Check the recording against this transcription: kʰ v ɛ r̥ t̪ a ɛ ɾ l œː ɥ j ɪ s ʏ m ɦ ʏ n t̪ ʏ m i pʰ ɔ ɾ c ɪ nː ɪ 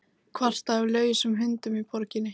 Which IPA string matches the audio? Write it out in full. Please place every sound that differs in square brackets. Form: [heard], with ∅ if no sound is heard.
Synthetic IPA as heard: kʰ v [a] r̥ t̪ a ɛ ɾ l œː ɥ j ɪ s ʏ m ɦ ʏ n t̪ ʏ m i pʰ ɔ ɾ c ɪ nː ɪ